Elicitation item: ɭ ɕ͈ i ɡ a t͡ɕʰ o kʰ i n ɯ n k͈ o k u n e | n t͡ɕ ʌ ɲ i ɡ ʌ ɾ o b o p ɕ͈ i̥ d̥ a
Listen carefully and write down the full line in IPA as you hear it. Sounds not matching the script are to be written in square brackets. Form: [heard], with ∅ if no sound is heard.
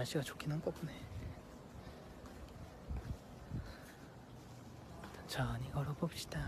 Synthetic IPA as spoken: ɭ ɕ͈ i ɡ a [t͡ɕ] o kʰ i n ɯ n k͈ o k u n e | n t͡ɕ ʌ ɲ i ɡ ʌ ɾ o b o p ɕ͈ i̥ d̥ a